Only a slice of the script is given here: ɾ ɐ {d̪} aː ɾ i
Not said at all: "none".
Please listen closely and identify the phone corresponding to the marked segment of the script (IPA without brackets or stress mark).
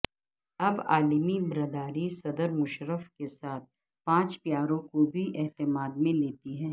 d̪